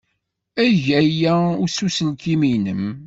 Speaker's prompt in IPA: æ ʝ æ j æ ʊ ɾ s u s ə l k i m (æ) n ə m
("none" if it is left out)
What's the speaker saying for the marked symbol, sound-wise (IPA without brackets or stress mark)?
i